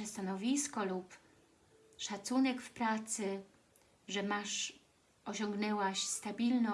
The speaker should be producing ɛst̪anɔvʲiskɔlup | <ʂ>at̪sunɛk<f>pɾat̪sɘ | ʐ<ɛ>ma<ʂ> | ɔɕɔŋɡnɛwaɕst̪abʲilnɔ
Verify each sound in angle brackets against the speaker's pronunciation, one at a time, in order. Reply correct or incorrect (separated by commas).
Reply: correct, correct, correct, correct